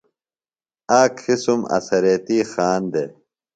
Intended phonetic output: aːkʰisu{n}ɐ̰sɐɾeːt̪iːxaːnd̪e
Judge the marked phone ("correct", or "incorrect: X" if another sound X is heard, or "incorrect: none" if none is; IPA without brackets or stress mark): incorrect: m